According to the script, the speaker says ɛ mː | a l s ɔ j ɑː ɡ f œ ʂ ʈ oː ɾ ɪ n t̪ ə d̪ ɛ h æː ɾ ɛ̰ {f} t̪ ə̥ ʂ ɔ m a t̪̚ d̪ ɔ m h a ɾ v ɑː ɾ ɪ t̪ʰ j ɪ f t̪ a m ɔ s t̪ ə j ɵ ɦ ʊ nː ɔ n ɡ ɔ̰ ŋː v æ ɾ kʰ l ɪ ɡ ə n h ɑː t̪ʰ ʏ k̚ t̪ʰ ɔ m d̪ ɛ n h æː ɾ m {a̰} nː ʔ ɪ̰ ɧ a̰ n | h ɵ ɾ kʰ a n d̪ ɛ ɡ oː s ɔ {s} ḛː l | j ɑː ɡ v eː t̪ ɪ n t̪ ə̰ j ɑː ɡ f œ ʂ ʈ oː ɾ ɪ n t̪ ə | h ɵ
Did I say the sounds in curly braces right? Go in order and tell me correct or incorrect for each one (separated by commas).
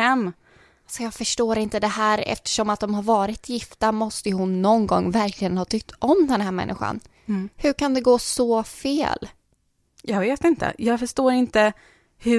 correct, incorrect, incorrect